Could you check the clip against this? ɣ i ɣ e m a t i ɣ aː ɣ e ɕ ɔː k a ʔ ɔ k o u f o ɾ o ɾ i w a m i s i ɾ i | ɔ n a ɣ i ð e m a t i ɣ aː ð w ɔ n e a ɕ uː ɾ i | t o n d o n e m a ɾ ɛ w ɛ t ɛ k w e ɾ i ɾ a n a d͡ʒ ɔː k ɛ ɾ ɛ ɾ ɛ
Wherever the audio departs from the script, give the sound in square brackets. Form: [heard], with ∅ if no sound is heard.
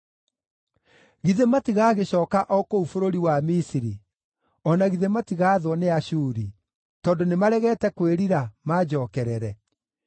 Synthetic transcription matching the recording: ɣ i [ð] e m a t i ɣ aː ɣ e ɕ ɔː k a ʔ ɔ k o u f o ɾ o ɾ i w a m i s i ɾ i | ɔ n a ɣ i ð e m a t i ɣ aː ð w ɔ n e a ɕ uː ɾ i | t [ɔ] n d o n e m a ɾ ɛ [ɣ] ɛ t ɛ k w e ɾ i ɾ a [m] a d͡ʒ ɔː k ɛ ɾ ɛ ɾ ɛ